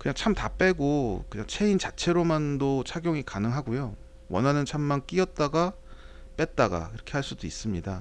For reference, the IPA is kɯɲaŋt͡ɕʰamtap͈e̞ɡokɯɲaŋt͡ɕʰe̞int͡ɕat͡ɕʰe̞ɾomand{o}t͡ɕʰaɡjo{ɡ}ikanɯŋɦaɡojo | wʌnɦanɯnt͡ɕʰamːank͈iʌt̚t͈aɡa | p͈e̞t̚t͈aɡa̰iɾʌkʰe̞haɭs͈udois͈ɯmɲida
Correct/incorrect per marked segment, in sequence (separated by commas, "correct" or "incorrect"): correct, incorrect